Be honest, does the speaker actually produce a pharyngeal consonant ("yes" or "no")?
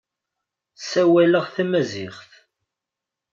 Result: no